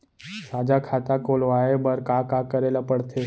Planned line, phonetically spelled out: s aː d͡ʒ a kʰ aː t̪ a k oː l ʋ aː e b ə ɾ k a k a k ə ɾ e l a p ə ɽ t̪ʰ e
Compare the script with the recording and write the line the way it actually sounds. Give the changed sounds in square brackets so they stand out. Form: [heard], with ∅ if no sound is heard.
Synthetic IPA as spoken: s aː d͡ʒ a kʰ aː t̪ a k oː l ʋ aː e b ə ɾ k a k a k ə ɾ e l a p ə ɽ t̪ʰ e